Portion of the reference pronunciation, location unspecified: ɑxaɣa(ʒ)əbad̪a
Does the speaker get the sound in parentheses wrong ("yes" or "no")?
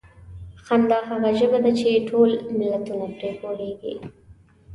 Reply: no